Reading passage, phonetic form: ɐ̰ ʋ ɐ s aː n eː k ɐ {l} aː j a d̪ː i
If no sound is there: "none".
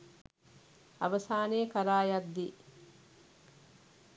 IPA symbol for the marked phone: ɾ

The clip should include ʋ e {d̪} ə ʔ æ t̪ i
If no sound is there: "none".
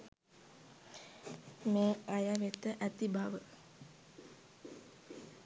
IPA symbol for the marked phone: t̪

